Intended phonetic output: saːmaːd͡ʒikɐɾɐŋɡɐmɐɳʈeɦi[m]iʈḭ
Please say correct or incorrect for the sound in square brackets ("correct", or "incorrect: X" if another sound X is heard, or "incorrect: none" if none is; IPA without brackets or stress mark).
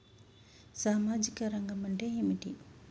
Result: correct